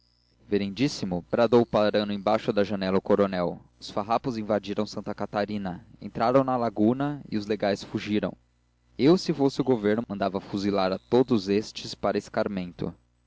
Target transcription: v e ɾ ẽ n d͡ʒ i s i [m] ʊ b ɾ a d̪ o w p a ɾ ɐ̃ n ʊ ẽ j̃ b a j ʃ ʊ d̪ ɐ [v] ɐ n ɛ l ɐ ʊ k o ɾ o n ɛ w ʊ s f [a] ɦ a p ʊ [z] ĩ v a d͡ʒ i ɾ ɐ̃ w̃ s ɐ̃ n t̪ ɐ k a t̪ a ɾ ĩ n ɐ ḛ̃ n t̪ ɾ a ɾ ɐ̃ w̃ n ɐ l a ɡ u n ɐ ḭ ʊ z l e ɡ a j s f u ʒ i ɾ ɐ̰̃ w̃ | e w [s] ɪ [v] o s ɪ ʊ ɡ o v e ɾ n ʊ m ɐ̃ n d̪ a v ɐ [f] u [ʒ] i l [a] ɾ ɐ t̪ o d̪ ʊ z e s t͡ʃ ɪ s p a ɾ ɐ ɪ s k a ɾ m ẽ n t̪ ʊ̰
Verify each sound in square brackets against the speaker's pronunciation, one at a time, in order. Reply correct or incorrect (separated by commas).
correct, incorrect, correct, correct, correct, incorrect, correct, incorrect, correct